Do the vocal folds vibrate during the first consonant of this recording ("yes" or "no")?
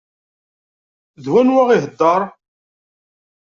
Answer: yes